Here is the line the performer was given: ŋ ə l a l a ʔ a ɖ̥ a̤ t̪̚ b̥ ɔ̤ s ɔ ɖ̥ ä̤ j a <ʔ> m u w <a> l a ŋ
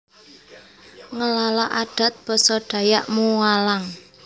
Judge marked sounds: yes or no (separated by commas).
yes, yes